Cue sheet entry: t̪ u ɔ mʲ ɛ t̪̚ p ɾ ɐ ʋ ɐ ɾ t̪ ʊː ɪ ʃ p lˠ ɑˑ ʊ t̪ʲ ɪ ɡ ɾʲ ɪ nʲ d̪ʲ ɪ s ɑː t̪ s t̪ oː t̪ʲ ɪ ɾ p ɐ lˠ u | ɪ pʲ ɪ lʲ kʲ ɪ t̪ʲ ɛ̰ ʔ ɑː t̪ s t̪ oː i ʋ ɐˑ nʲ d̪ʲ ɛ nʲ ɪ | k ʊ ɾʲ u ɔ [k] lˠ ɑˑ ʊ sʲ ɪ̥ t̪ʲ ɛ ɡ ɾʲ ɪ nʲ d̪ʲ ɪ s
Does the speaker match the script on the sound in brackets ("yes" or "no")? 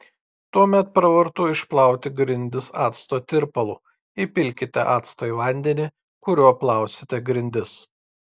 no